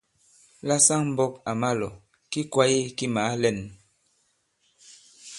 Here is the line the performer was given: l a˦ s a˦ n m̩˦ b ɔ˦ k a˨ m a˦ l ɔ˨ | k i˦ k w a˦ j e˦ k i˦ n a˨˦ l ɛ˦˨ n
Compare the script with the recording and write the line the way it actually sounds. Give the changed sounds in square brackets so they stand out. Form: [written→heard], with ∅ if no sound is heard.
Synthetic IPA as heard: l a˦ s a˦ [n→ŋ] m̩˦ b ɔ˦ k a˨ m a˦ l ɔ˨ | k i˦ k w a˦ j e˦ k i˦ [n→m] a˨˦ l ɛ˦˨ n